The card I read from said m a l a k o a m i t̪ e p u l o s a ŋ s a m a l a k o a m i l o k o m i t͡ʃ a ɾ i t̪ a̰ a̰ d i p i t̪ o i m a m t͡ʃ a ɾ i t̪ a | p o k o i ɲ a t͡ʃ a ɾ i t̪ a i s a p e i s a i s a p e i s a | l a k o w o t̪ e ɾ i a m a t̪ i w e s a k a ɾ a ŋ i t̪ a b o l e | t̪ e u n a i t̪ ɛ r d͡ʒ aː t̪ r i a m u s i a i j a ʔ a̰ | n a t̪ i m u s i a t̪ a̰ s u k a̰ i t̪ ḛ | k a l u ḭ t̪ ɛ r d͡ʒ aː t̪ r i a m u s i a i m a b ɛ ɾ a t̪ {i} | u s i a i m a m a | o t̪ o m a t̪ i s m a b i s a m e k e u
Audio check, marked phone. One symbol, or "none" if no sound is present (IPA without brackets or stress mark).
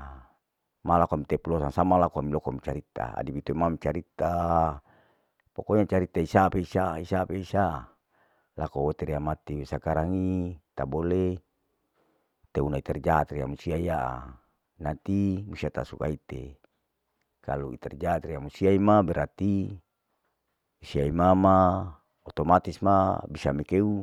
i